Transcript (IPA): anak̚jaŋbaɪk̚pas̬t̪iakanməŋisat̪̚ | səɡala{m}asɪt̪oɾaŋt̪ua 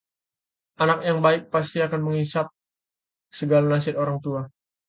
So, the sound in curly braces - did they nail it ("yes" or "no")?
no